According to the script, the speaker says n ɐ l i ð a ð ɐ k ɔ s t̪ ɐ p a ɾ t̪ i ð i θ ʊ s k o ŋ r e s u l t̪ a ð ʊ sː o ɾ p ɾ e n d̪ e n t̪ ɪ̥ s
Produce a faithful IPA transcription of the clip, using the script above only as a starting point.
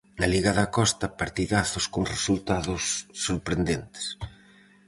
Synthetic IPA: n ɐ l i ɣ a ð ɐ k ɔ s t̪ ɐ p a ɾ t̪ i ð a θ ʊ s k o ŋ r e s u l t̪ a ð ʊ sː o ɾ p ɾ e n d̪ e n t̪ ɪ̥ s